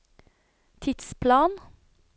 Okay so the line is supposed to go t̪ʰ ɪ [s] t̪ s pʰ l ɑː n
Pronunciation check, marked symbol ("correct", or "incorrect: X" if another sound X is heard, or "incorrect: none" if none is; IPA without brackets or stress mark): incorrect: none